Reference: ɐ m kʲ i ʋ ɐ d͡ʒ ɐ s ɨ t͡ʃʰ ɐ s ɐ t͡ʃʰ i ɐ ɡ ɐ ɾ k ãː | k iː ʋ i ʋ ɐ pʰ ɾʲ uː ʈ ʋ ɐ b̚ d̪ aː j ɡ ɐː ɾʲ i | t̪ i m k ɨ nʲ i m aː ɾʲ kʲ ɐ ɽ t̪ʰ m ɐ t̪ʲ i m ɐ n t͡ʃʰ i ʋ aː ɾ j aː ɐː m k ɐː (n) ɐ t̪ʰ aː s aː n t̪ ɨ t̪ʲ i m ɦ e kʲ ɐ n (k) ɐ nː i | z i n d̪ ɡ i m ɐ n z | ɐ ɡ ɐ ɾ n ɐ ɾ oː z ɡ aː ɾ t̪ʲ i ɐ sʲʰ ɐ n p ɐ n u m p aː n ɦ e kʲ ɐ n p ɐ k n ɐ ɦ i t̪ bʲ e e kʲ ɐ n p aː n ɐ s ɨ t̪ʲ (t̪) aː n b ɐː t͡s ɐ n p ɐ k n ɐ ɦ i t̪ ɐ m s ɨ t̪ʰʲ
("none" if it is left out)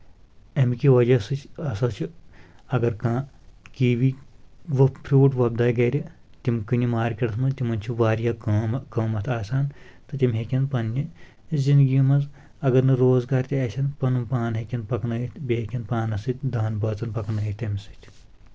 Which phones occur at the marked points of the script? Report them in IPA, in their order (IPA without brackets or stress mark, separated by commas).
m, p, d̪